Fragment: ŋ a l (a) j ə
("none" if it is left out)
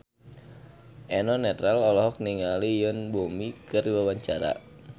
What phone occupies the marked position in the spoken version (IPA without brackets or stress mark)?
i